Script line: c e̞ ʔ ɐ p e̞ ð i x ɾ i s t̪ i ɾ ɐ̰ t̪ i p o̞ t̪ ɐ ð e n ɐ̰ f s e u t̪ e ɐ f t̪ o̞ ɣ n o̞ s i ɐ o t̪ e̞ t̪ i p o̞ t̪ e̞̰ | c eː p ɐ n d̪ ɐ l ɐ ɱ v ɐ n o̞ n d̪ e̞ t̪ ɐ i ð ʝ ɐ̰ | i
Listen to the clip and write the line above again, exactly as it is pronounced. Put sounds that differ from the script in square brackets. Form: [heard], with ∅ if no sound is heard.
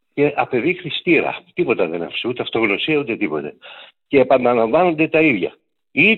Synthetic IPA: c e̞ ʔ ɐ p e̞ ð i x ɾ i s t̪ i ɾ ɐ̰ t̪ i p o̞ t̪ ɐ ð e n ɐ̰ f s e u t̪ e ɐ f t̪ o̞ ɣ n o̞ s i ɐ [u] t̪ e̞ t̪ i p o̞ t̪ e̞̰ | c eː p ɐ n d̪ ɐ l ɐ ɱ v ɐ n o̞ n d̪ e̞ t̪ ɐ i ð ʝ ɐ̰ | i